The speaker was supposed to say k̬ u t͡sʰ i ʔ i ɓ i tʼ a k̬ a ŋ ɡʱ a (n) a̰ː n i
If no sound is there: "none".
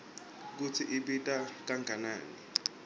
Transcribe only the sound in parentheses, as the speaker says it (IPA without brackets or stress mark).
n